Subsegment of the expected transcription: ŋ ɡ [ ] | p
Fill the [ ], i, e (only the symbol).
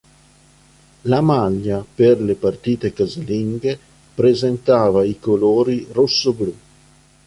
e